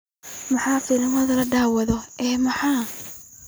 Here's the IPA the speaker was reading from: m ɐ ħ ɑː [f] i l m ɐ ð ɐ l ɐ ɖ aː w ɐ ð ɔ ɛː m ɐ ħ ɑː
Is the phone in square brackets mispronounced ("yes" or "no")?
no